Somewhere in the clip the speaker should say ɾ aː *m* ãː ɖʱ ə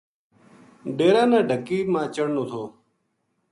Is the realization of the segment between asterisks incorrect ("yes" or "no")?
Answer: yes